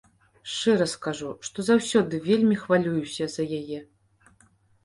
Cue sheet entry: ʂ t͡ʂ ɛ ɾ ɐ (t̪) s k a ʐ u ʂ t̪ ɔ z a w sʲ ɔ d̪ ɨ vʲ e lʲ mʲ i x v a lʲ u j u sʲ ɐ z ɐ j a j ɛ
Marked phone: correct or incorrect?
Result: incorrect